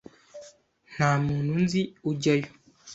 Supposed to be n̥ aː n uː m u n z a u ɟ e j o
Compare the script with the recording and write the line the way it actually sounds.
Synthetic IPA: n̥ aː m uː n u n z i u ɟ a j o